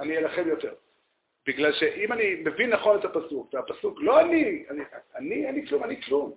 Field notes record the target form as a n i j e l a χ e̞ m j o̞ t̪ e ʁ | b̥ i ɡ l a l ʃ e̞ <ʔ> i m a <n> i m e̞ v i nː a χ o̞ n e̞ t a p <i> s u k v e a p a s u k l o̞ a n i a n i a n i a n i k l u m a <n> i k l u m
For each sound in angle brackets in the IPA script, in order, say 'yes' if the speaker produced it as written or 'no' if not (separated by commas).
yes, yes, no, yes